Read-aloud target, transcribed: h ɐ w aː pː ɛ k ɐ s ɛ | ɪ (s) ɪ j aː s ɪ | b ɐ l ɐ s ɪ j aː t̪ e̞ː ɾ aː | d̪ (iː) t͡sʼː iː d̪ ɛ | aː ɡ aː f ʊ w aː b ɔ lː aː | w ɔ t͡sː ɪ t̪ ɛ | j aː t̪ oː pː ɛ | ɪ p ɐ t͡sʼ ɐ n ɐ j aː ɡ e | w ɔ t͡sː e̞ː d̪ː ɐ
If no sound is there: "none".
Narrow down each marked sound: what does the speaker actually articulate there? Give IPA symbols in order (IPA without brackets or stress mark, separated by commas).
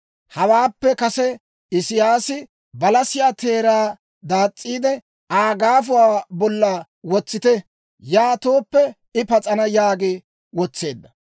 s, aː